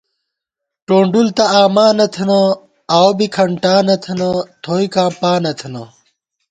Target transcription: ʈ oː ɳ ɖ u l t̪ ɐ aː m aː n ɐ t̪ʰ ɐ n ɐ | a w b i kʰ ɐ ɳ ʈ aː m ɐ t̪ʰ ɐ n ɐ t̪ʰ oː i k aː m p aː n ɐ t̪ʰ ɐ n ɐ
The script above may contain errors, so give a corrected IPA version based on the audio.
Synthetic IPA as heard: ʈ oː ɳ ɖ u l t̪ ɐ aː m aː n ɐ t̪ʰ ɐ n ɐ | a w b i kʰ ɐ ɳ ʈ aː n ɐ t̪ʰ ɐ n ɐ t̪ʰ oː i k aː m p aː n ɐ t̪ʰ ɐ n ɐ